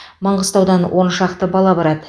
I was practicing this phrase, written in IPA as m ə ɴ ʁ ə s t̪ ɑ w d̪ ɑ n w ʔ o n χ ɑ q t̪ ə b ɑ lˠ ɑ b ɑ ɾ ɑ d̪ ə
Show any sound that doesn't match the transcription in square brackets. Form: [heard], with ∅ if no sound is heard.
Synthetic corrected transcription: m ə ɴ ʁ ə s t̪ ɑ w d̪ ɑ n w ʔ o n [ʃ] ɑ q t̪ ə b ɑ lˠ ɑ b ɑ ɾ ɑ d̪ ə